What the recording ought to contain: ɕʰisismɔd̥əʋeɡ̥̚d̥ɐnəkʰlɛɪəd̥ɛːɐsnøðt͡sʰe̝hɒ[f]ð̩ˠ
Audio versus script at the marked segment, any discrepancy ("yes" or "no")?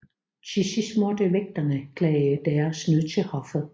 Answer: no